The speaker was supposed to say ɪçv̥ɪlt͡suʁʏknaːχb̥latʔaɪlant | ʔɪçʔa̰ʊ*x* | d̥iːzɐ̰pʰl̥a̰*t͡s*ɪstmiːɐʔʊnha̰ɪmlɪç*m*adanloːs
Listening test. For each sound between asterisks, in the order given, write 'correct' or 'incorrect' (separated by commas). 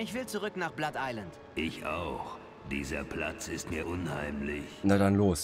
correct, correct, incorrect